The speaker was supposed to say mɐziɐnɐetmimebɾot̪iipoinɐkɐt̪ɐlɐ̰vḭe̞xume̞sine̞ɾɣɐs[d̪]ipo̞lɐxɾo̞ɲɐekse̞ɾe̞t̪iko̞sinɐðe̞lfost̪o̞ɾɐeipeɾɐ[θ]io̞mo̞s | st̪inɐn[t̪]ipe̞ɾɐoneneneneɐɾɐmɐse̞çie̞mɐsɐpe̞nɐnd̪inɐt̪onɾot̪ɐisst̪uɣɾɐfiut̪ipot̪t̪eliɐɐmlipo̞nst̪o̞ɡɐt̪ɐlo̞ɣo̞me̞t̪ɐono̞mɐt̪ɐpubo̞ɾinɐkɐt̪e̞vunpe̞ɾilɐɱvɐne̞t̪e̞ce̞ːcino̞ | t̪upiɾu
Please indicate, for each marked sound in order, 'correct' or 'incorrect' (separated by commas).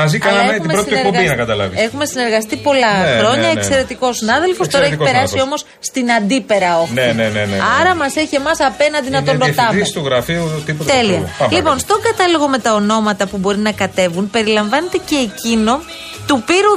incorrect, incorrect, incorrect